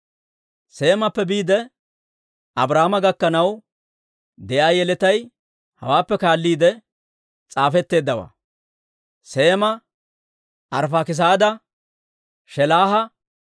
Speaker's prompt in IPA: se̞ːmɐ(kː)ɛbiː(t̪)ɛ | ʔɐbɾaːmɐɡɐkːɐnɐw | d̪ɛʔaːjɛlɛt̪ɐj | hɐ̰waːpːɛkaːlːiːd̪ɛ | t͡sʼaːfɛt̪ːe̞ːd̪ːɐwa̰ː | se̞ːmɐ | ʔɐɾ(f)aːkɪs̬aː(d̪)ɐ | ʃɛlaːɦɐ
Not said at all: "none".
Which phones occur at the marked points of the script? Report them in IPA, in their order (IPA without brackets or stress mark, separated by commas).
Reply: pː, d̪, f, d̪